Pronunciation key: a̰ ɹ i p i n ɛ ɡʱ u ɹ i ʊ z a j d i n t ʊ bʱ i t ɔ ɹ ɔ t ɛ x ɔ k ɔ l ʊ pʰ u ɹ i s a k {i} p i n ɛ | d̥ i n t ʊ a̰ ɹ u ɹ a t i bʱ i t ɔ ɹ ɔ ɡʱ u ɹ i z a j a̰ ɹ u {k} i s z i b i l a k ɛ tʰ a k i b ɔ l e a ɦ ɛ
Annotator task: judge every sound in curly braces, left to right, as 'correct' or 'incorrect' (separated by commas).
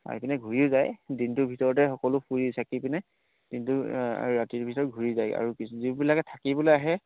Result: correct, correct